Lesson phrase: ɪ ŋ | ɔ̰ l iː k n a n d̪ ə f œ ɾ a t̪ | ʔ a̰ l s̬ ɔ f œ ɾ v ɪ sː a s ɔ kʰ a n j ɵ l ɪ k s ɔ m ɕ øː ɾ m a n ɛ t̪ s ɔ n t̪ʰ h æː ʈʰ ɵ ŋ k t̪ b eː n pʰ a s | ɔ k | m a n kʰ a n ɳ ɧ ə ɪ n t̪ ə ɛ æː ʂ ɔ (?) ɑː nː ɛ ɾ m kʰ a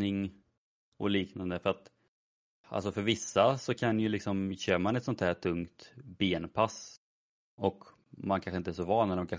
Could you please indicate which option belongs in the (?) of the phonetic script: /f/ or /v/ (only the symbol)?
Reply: v